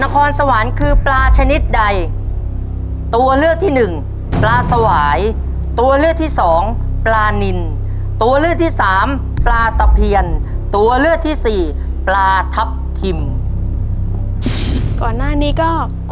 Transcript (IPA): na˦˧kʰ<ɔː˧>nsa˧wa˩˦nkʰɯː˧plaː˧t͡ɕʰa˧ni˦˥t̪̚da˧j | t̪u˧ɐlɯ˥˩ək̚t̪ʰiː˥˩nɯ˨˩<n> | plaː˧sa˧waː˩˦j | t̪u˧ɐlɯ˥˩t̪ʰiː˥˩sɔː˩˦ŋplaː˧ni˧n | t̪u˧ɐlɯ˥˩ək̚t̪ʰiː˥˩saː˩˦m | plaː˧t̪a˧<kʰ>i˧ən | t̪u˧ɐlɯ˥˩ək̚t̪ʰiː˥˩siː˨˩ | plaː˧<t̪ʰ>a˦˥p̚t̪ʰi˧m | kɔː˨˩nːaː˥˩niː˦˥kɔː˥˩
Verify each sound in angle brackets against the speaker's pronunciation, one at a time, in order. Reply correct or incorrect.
correct, incorrect: ŋ, incorrect: pʰ, correct

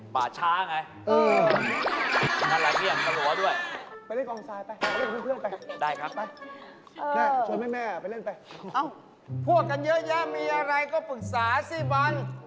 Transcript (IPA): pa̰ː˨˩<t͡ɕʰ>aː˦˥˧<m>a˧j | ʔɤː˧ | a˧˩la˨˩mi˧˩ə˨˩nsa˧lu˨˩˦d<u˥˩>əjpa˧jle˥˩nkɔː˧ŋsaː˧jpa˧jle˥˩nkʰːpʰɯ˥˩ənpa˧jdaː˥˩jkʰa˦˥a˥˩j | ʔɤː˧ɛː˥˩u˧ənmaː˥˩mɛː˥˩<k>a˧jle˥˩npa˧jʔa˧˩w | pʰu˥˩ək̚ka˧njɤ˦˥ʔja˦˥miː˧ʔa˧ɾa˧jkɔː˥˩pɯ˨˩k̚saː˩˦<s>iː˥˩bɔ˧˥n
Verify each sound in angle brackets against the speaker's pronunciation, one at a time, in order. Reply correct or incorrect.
correct, incorrect: ŋ, correct, incorrect: p, correct

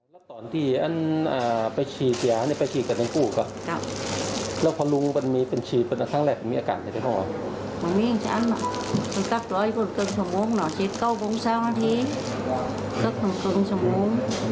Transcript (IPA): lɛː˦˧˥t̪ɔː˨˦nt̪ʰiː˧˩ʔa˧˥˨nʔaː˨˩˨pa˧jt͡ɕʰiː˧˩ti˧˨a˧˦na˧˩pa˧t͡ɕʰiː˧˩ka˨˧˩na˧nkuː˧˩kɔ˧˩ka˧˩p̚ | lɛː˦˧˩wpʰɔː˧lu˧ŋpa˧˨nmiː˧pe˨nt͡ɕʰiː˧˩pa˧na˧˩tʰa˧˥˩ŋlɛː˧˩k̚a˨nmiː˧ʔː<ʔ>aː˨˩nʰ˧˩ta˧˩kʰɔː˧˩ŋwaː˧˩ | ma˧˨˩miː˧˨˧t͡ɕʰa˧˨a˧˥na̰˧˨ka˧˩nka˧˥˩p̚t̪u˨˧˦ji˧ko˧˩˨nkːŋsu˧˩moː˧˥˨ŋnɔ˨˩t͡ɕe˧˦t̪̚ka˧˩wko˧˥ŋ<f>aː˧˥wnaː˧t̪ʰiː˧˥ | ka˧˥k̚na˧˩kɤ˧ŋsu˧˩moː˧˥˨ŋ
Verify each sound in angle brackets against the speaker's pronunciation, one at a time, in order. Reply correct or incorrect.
incorrect: k, incorrect: s

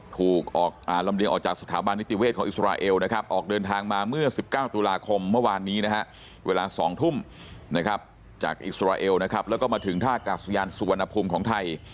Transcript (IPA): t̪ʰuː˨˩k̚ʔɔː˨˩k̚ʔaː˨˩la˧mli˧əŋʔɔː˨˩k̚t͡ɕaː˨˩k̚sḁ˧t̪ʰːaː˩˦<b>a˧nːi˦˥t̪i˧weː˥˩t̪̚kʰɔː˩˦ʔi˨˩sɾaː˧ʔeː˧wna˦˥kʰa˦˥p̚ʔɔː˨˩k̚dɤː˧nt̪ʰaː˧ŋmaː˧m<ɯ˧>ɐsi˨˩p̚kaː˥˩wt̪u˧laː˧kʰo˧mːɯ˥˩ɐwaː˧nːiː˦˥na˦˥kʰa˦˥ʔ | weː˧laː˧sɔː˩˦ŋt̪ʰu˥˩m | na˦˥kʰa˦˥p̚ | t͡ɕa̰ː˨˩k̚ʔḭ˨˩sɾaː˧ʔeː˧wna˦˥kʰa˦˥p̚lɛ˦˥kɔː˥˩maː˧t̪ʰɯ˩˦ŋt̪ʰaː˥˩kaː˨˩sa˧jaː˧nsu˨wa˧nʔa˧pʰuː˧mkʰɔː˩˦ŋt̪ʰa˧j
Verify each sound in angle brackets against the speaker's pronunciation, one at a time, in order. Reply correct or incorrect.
correct, incorrect: ɯ˥˩

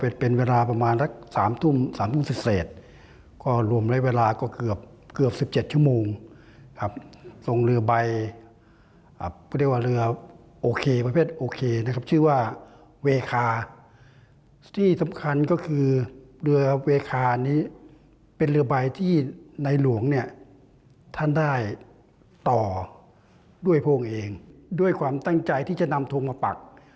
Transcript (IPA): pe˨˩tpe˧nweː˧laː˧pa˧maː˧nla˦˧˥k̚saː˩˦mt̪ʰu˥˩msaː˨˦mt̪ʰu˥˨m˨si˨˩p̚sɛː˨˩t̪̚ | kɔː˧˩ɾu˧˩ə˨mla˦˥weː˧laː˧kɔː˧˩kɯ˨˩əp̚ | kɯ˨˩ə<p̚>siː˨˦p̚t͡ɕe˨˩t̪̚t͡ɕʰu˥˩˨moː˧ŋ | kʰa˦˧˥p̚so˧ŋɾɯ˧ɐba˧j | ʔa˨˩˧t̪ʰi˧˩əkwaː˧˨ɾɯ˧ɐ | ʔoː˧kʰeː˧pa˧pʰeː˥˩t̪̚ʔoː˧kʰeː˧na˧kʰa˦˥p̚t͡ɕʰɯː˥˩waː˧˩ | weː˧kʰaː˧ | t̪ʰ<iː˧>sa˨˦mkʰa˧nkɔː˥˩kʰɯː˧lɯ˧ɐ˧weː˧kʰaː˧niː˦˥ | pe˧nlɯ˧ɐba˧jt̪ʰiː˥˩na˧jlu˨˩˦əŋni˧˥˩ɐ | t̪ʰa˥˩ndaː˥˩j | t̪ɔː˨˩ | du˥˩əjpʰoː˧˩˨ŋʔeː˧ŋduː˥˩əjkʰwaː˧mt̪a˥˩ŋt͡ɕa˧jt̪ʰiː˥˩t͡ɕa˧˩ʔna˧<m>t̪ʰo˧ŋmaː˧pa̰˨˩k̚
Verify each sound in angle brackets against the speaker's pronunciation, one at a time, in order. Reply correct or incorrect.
correct, incorrect: iː˥˩, correct

